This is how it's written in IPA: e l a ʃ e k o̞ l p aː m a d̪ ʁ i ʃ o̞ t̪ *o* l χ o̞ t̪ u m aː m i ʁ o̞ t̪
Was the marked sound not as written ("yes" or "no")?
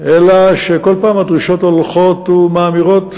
no